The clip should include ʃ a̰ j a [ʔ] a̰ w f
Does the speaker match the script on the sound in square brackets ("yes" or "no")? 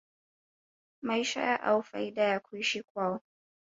yes